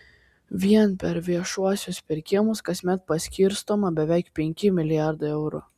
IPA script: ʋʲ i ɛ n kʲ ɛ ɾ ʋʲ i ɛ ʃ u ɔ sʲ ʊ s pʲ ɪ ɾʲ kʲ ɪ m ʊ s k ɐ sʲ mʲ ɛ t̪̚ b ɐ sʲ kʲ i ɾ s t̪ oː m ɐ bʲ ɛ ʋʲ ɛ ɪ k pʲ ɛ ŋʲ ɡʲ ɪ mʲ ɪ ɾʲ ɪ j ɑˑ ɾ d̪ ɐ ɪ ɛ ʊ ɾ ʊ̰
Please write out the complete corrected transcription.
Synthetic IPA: ʋʲ i ɛ n pʲ ɛ ɾ ʋʲ i ɛ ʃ u ɔ sʲ ʊ s pʲ ɪ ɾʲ kʲ ɪ m ʊ s k ɐ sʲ mʲ ɛ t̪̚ p ɐ sʲ kʲ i ɾ s t̪ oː m ɐ bʲ ɛ ʋʲ ɛ ɪ k pʲ ɛ ŋʲ kʲ ɪ mʲ ɪ lʲ ɪ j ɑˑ ɾ d̪ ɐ ɪ ɛ ʊ ɾ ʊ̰